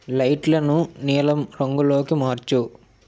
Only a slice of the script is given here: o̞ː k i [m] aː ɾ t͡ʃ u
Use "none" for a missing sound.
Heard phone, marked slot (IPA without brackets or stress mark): m